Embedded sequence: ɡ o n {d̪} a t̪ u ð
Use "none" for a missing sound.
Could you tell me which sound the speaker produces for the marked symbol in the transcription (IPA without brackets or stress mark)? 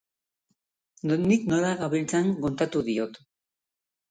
t̪